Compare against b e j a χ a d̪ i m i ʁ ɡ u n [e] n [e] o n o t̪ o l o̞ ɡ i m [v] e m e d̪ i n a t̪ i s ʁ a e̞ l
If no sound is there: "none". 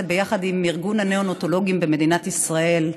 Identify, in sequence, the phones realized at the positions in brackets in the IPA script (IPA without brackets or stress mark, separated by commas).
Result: a, e, b